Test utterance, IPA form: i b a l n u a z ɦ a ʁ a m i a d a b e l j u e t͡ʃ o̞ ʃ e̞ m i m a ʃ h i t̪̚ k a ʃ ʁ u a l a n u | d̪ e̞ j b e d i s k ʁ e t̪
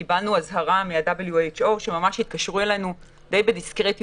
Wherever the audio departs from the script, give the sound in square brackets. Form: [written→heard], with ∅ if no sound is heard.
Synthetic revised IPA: i b a l n u a z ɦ a ʁ a m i a d a b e l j u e t͡ʃ o̞ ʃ e̞ m [i→a] m a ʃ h i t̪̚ k a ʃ ʁ u [a→e] l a n u | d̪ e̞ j b e d i s k ʁ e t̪